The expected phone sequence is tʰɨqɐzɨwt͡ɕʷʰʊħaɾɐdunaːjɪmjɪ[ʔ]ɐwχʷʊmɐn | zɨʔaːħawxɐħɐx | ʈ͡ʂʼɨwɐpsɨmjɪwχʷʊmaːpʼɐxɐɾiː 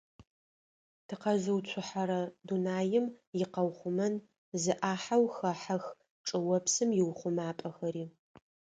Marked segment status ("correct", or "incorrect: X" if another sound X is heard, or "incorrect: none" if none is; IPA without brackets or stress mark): incorrect: q